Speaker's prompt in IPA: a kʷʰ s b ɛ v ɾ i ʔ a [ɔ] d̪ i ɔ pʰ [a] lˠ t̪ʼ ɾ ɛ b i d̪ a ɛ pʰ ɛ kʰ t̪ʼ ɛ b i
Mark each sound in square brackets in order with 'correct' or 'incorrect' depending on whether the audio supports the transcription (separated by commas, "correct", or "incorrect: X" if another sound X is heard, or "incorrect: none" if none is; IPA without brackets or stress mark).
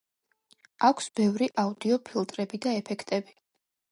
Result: incorrect: u, incorrect: i